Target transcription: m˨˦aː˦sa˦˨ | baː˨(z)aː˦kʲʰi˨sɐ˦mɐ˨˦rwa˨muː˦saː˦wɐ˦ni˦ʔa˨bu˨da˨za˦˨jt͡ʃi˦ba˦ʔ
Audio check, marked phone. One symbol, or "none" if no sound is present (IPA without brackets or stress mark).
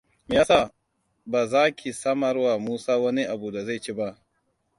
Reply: z